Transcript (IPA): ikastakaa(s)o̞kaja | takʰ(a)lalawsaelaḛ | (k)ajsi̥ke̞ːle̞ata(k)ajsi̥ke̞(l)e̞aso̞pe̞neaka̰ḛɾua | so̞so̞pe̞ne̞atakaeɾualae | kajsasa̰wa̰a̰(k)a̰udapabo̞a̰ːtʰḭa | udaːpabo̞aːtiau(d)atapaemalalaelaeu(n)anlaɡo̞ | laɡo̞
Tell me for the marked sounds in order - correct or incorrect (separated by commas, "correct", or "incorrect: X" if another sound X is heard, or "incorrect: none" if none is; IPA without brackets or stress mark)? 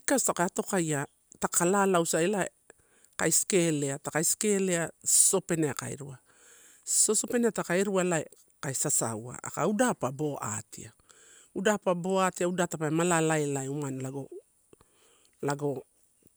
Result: incorrect: t, correct, correct, correct, correct, correct, correct, incorrect: m